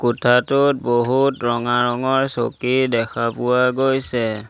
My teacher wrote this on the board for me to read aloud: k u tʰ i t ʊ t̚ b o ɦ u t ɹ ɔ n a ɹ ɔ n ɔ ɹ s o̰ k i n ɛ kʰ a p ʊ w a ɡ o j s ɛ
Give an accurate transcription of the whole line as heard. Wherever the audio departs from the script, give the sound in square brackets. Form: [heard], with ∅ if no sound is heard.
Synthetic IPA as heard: k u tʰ [a] t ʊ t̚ b o ɦ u t ɹ ɔ [ŋ] a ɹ ɔ [ŋ] ɔ ɹ s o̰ k i [d] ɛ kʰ a p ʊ w a ɡ o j s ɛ

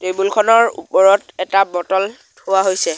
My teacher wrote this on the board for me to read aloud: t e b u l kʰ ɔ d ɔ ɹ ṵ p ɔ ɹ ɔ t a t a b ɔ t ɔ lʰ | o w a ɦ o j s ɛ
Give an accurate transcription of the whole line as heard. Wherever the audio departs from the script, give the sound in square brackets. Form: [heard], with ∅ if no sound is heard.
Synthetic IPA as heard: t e b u l kʰ ɔ [n] ɔ ɹ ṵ p ɔ ɹ ɔ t [ɛ] t a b ɔ t ɔ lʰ | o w a ɦ o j s ɛ

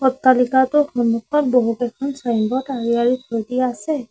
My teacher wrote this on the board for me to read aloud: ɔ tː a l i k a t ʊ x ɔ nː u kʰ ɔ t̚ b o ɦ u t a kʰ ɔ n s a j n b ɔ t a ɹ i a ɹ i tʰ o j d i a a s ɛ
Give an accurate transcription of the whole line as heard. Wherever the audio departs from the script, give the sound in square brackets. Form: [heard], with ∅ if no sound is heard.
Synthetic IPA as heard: ɔ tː a l i k a t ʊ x ɔ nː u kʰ ɔ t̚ b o ɦ u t [ɛ] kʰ ɔ n s a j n b ɔ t a ɹ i a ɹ i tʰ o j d i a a s ɛ

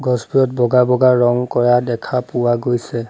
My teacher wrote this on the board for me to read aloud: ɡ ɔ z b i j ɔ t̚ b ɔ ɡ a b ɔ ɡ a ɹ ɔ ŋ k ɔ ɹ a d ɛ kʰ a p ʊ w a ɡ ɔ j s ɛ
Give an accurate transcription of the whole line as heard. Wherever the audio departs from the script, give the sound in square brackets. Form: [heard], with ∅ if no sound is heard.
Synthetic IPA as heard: ɡ ɔ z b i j ɔ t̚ b ɔ ɡ a b ɔ ɡ a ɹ ɔ ŋ k ɔ ɹ a d ɛ kʰ a p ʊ w a ɡ [o] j s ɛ

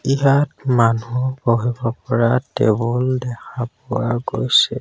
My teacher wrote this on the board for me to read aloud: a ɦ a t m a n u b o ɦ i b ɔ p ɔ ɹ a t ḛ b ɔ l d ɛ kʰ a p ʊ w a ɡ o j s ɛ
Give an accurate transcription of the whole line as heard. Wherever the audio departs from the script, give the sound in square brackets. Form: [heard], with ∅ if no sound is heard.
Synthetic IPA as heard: [i] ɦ a t m a n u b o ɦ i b ɔ p ɔ ɹ a t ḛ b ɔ l d ɛ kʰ a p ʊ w a ɡ o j s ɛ

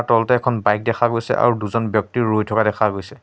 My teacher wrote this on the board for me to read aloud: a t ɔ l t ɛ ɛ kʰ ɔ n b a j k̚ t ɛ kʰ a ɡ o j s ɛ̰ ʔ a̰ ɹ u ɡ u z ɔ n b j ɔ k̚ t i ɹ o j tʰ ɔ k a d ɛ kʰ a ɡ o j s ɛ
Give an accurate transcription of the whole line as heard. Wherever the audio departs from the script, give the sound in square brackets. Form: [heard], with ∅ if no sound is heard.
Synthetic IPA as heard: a t ɔ l t ɛ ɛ kʰ ɔ n b a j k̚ [d] ɛ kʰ a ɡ o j s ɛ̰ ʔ a̰ ɹ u [d] u z ɔ n b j ɔ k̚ t i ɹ o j tʰ ɔ k a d ɛ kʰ a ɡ o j s ɛ

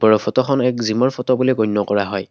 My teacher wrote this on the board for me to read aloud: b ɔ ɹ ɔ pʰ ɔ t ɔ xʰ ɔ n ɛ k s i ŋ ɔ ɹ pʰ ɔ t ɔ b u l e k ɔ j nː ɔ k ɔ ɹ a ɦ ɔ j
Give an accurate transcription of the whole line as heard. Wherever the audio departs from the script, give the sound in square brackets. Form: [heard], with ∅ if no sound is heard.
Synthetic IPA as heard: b ɔ ɹ ɔ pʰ ɔ t ɔ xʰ ɔ n ɛ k [z] i [m] ɔ ɹ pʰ ɔ t ɔ b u l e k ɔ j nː ɔ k ɔ ɹ a ɦ ɔ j

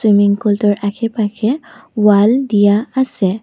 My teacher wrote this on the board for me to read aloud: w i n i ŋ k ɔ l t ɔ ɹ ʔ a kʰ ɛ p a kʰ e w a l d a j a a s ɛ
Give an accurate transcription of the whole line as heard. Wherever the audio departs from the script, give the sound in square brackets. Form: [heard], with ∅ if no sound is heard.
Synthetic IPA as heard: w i [m] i ŋ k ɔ l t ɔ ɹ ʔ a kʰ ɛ p a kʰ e w a l d [i] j a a s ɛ

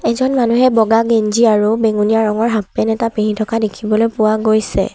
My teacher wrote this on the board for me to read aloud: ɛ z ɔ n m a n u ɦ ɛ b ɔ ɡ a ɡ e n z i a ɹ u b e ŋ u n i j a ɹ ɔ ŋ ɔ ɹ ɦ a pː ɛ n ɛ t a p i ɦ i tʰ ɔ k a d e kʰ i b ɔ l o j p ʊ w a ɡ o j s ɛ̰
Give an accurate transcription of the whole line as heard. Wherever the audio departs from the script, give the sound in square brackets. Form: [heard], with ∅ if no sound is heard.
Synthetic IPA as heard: ɛ z ɔ n m a n u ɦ ɛ b ɔ ɡ a ɡ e n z i a ɹ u b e ŋ u n i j a ɹ ɔ ŋ ɔ ɹ ɦ a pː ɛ n ɛ t a p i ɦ i tʰ ɔ k a d e kʰ i b ɔ l o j p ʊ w a ɡ o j s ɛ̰

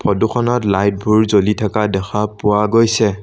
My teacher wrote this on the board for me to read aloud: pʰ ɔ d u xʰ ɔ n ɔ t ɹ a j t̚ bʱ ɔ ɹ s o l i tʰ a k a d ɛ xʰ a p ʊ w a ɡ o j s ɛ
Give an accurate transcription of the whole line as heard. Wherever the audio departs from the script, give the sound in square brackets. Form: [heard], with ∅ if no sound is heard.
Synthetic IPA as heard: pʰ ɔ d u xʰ ɔ n ɔ t [l] a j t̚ bʱ [u] ɹ [z] o l i tʰ a k a d ɛ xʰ a p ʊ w a ɡ o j s ɛ

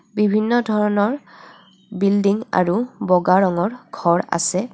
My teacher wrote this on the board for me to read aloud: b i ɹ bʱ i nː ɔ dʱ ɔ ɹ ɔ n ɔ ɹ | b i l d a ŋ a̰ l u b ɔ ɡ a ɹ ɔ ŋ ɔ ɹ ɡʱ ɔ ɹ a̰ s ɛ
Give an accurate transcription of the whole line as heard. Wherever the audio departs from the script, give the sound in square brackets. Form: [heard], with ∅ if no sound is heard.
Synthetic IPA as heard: b i [∅] bʱ i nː ɔ dʱ ɔ ɹ ɔ n ɔ ɹ | b i l d [i] ŋ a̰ [ɹ] u b ɔ ɡ a ɹ ɔ ŋ ɔ ɹ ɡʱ ɔ ɹ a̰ s ɛ

